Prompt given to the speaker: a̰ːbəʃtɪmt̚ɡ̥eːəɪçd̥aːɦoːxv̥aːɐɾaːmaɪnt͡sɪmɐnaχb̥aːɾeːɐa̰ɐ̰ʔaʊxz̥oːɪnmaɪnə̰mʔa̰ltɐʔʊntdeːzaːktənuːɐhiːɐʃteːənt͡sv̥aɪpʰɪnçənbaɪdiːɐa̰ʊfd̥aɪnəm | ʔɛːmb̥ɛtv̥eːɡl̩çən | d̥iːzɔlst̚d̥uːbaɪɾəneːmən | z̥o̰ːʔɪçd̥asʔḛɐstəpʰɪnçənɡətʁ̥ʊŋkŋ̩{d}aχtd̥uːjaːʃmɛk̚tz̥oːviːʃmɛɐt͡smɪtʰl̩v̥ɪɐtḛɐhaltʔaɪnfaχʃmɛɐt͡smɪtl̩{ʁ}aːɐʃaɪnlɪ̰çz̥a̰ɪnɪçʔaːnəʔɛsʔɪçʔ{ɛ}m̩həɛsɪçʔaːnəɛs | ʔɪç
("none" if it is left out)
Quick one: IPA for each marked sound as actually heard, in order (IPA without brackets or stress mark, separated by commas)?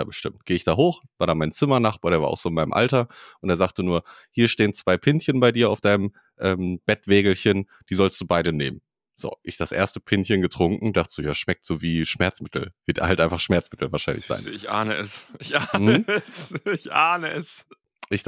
d, v, a